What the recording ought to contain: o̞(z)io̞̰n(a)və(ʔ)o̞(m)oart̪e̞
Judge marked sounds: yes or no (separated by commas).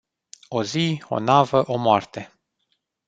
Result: yes, yes, yes, yes